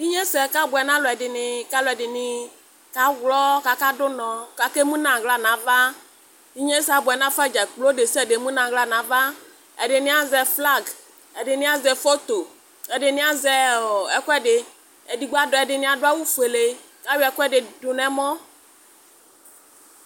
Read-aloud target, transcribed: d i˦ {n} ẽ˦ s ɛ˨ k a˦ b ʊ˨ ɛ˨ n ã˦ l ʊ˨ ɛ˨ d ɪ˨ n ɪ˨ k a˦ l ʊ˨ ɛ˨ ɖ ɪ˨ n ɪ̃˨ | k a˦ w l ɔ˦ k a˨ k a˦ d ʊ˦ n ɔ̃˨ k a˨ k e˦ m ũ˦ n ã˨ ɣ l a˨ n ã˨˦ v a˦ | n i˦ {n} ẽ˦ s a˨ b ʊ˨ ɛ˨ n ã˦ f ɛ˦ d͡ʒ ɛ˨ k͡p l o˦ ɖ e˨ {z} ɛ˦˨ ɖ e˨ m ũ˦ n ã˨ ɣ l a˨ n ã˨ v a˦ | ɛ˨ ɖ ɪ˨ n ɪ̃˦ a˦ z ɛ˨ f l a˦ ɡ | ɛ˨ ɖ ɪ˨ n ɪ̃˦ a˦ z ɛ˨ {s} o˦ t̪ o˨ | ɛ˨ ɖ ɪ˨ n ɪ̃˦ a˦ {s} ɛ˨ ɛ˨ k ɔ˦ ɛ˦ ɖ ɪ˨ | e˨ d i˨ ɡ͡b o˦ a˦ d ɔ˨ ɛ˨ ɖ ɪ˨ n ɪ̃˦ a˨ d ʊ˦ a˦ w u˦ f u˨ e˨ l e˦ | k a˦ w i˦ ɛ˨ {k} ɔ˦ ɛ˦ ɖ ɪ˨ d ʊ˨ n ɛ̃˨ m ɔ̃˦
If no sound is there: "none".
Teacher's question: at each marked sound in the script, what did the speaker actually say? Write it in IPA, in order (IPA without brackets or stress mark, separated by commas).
ɲ, ɲ, s, f, z, k